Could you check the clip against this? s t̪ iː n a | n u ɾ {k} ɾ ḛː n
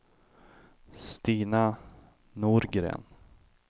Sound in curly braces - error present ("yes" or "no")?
yes